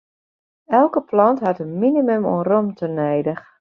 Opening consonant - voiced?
yes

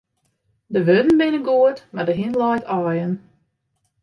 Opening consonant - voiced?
yes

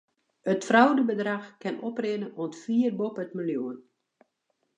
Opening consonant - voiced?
no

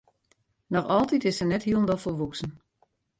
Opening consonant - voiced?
yes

